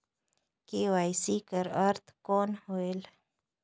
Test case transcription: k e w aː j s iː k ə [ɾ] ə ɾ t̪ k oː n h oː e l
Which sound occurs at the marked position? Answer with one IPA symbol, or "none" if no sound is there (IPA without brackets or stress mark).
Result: ɾ